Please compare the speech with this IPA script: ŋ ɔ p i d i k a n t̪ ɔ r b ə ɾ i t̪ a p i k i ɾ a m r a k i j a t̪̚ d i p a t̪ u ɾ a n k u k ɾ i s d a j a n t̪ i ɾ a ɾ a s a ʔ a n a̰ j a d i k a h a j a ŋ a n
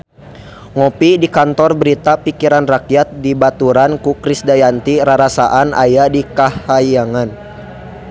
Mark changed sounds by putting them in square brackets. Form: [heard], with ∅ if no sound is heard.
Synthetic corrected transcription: ŋ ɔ p i d i k a n t̪ ɔ r b ə ɾ i t̪ a p i k i ɾ a [n] r a k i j a t̪̚ d i [b] a t̪ u ɾ a n k u k ɾ i s d a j a n t̪ i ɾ a ɾ a s a ʔ a n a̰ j a d i k a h a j a ŋ a n